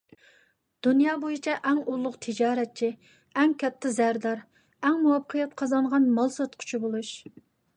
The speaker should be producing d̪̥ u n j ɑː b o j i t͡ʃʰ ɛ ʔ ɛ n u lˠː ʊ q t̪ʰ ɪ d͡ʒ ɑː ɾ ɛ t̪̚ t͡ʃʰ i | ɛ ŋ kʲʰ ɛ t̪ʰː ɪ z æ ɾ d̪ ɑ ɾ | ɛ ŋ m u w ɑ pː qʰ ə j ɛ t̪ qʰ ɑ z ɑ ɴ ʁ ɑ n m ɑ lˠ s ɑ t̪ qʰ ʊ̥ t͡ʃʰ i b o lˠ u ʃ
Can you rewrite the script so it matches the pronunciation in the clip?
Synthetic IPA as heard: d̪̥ u n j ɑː b o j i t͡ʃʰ ɛ ʔ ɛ ŋ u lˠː ʊ q t̪ʰ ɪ d͡ʒ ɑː ɾ ɛ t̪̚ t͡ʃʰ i | ɛ ŋ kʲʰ ɛ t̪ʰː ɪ z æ ɾ d̪ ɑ ɾ | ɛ ŋ m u w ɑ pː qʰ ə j ɛ t̪ qʰ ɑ z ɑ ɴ ʁ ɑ n m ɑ lˠ s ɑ t̪ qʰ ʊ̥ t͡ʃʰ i b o lˠ u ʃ